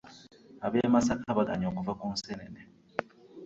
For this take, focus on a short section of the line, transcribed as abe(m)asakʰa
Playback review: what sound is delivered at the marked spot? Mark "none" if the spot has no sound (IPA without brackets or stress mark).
m